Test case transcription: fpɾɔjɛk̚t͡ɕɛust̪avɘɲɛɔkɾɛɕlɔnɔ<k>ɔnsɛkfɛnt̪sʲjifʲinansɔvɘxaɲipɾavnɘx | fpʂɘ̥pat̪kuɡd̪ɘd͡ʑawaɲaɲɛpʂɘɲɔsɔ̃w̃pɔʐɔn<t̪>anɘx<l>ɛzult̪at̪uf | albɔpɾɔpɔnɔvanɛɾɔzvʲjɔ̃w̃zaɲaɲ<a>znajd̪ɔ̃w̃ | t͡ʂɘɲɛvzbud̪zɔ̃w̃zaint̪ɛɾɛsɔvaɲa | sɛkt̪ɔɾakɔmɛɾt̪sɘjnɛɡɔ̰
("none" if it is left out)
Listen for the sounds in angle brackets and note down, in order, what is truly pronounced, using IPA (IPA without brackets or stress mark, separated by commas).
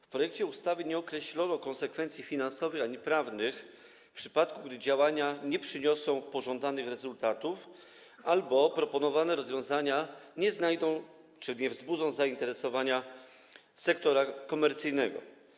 k, d̪, ɾ, ɛ